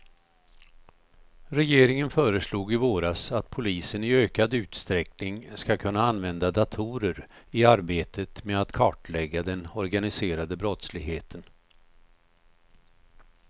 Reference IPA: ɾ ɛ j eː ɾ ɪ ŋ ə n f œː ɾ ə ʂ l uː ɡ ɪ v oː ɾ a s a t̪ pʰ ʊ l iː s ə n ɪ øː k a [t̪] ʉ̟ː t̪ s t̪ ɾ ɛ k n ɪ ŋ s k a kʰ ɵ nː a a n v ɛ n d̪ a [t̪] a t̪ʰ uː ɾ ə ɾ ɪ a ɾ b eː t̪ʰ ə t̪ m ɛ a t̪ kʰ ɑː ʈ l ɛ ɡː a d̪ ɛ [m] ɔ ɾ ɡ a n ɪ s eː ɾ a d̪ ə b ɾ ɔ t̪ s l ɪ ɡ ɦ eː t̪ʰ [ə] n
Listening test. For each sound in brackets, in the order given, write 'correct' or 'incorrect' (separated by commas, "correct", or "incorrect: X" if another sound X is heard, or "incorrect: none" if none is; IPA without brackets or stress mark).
incorrect: d̪, incorrect: d̪, incorrect: n, correct